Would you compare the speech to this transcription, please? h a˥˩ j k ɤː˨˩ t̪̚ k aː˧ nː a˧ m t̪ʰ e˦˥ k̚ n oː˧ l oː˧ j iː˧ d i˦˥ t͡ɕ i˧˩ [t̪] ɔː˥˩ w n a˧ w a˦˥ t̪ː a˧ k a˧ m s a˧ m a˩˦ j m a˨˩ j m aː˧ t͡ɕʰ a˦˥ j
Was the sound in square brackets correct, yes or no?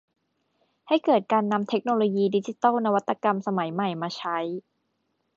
yes